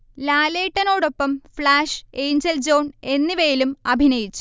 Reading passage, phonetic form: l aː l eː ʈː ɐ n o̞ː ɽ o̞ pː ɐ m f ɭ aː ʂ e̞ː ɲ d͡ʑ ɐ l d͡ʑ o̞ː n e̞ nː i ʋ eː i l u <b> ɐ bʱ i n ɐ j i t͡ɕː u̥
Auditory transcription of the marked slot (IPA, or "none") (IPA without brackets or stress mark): m